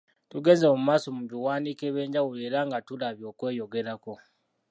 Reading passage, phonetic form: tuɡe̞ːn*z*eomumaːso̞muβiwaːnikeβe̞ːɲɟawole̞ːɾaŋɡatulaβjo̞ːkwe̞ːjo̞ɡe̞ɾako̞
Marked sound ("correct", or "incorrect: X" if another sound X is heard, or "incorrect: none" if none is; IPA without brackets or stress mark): correct